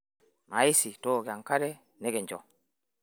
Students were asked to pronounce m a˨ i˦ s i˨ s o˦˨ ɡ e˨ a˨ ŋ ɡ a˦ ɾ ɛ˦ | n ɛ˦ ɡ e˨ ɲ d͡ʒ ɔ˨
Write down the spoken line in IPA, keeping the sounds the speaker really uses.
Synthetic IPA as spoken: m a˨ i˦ s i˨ t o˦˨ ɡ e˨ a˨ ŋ k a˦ ɾ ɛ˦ | n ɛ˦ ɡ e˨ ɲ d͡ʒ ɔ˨

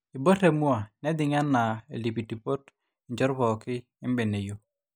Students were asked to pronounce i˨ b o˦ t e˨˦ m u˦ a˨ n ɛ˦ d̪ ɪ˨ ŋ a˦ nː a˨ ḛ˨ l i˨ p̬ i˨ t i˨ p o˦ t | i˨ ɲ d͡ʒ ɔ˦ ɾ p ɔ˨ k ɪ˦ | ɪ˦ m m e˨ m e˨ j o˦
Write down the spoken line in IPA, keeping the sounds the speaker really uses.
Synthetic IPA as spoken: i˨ b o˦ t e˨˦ m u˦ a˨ n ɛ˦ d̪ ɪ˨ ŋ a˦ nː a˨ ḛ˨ l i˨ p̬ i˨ t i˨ p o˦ t | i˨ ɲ d͡ʒ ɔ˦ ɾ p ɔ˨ k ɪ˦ | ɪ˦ m b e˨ n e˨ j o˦

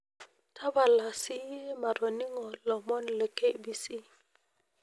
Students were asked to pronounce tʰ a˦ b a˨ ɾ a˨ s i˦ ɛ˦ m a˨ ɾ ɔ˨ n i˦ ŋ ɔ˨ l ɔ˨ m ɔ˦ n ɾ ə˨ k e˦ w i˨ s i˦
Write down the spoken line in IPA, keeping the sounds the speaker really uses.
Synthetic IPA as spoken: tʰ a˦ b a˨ l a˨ s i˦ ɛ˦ m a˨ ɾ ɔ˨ n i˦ ŋ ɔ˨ l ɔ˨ m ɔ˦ n l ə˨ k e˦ b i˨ s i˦

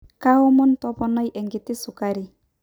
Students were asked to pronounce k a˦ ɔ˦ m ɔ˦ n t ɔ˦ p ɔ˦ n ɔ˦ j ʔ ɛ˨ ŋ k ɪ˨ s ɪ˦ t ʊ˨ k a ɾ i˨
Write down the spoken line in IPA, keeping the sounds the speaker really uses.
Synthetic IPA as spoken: k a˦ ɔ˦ m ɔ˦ n t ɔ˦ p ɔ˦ n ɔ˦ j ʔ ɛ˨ ŋ ɡ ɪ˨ t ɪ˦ s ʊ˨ k a ɾ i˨

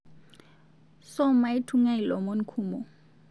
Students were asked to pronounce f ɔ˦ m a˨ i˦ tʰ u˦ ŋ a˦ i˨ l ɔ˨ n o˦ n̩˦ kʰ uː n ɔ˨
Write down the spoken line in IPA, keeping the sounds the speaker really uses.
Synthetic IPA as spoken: s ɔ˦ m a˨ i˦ tʰ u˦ ŋ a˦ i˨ l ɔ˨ m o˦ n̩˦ kʰ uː m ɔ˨

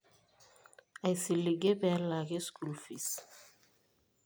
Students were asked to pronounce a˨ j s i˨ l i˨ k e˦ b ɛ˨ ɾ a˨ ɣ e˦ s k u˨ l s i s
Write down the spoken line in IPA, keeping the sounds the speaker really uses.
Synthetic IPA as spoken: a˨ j s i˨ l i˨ ɡ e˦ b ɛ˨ l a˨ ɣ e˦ s k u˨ l f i s

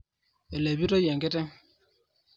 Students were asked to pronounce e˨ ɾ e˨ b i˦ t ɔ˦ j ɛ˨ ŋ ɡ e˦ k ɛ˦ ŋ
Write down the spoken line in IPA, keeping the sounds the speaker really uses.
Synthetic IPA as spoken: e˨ l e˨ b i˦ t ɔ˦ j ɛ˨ ŋ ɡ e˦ t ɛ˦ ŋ

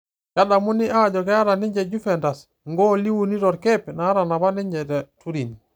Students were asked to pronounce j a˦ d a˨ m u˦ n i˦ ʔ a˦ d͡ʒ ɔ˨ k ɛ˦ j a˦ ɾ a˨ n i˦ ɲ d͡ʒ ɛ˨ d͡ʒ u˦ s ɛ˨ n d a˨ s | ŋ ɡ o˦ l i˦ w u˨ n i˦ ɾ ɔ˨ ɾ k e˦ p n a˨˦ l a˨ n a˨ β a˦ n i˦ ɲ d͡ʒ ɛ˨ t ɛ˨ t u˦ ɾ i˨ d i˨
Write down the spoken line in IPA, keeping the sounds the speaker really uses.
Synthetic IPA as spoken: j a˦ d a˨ m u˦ n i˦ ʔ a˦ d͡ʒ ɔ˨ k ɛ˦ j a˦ ɾ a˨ n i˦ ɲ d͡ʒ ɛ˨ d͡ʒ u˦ f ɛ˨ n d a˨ s | ŋ ɡ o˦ l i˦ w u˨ n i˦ ɾ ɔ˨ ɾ k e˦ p n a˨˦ ɾ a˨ n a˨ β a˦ n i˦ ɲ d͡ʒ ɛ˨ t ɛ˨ t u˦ ɾ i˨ n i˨

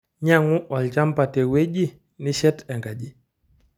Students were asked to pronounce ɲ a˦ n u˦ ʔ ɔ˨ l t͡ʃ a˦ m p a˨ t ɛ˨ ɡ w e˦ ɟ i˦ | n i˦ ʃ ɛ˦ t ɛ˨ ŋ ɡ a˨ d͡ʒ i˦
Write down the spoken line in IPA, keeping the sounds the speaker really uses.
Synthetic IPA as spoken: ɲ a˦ ŋ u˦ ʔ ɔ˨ l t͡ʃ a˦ m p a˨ t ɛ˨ w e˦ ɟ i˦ | n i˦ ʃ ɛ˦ t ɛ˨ ŋ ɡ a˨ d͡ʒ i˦

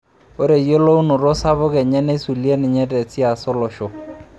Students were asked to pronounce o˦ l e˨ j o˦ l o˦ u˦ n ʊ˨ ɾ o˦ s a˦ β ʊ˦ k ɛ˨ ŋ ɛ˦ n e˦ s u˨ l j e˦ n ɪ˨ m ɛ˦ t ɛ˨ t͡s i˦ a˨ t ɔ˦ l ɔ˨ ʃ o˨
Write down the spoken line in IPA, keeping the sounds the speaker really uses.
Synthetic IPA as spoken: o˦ ɾ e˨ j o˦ l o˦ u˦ n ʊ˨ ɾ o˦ s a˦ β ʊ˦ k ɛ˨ ɲ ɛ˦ n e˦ s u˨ l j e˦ n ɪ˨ ɲ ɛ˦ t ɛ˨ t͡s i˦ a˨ s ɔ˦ l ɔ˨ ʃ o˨

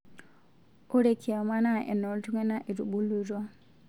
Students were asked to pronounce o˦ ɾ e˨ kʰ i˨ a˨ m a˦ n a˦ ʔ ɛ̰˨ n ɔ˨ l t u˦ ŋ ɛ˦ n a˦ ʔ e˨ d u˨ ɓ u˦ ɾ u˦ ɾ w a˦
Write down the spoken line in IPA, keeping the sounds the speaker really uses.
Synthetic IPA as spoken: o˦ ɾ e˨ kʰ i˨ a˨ m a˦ n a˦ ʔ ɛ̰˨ n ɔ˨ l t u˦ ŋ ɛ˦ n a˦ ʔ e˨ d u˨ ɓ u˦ l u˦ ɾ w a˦

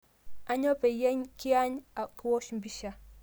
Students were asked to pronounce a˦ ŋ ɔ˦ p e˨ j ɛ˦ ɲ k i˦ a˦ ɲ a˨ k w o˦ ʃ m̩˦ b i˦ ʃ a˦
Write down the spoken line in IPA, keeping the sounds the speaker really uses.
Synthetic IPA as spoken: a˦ ɲ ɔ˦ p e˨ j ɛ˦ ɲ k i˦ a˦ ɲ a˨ k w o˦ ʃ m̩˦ b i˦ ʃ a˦

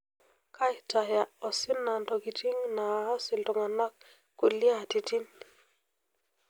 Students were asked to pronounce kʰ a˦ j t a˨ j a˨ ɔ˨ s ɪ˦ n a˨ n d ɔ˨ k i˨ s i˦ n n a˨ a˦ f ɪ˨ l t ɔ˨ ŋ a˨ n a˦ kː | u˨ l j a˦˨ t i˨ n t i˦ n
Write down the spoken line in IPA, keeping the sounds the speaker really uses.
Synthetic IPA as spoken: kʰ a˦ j t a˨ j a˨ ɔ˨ s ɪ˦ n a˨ n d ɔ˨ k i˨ t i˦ ŋ n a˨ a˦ s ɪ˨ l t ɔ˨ ŋ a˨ n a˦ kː | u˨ l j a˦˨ t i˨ t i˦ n

